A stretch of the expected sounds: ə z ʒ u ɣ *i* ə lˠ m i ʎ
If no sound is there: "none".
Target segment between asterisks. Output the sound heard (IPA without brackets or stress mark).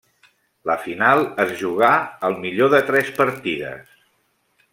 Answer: a